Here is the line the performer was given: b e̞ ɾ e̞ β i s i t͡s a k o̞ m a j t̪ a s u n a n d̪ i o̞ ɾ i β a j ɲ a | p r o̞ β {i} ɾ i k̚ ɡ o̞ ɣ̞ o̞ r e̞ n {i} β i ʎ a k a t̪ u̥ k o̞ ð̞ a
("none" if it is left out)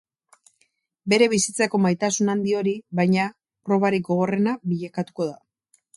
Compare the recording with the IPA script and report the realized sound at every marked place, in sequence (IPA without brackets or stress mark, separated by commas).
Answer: a, a